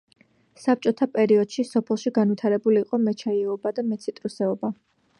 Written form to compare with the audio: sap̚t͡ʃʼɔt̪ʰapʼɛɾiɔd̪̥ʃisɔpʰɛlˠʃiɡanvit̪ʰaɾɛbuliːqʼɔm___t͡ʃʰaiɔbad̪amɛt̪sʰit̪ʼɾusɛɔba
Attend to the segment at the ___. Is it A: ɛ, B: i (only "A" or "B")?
A